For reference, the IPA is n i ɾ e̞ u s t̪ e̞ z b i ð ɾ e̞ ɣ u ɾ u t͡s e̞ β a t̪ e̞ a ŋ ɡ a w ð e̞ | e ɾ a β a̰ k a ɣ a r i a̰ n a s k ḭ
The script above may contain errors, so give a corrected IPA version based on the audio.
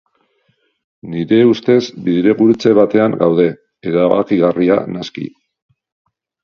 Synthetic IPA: n i ɾ e̞ u s t̪ e̞ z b i ð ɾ e̞ ɣ u ɾ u t͡s e̞ β a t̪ e̞ a ŋ ɡ a w ð e̞ | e ɾ a β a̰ k i ɣ a r i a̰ n a s k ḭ